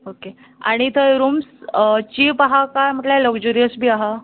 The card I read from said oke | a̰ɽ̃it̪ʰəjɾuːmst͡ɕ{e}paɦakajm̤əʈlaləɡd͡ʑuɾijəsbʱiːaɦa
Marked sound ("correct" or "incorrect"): incorrect